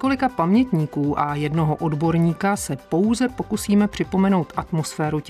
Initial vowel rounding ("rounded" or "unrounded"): rounded